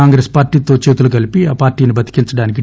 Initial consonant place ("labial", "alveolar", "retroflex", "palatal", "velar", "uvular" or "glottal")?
velar